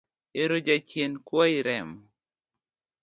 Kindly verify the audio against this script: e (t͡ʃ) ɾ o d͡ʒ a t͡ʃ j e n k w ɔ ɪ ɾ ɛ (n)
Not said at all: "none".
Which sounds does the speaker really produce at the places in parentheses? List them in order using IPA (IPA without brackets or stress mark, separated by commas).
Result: none, m